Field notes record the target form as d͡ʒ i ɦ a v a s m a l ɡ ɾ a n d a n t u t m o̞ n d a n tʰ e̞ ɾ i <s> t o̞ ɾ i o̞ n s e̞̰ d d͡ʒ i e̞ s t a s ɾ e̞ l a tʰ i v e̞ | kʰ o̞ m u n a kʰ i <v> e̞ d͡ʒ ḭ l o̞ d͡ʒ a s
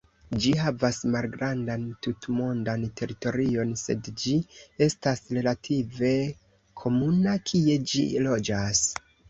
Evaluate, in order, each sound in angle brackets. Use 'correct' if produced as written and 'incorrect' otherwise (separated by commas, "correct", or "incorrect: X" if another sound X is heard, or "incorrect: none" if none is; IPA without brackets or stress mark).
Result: incorrect: none, incorrect: none